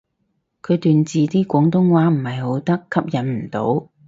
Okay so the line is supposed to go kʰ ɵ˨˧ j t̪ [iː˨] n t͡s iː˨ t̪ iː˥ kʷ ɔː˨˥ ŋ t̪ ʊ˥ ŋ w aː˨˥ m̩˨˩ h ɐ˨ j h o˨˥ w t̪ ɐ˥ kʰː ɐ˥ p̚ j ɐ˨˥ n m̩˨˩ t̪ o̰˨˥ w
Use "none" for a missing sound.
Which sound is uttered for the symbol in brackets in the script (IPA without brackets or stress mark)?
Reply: yː˨